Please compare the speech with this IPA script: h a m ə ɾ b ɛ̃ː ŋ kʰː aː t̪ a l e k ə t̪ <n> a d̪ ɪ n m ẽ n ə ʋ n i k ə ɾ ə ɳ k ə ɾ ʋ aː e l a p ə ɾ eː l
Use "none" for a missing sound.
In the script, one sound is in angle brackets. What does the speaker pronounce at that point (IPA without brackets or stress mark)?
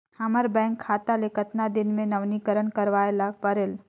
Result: n